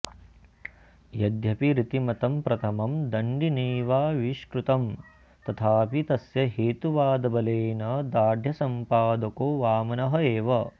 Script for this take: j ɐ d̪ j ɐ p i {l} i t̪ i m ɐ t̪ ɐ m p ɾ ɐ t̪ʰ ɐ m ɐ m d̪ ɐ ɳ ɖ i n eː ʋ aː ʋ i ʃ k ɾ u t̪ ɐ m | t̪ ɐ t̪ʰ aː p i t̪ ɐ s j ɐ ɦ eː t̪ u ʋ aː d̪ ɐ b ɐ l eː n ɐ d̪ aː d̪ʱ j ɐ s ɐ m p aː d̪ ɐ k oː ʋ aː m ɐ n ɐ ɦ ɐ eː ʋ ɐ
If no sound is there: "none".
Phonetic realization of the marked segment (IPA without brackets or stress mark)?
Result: ɾ